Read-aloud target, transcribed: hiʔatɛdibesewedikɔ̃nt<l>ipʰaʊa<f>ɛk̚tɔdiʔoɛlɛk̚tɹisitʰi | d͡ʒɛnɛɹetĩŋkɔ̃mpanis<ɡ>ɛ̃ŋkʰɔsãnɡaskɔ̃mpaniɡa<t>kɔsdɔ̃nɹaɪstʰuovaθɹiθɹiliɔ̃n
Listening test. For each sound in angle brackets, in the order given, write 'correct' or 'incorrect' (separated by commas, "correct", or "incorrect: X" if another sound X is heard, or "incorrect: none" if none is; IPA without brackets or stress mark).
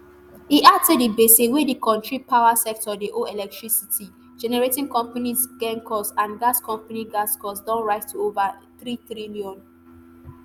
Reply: incorrect: ɹ, incorrect: s, correct, incorrect: s